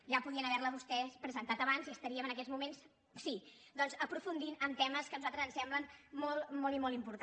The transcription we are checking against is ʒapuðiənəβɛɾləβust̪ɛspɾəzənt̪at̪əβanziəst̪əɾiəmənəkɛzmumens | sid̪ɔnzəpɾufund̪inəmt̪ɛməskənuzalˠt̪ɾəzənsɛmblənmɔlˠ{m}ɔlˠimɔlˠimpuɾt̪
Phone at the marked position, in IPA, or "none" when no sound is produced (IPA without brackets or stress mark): m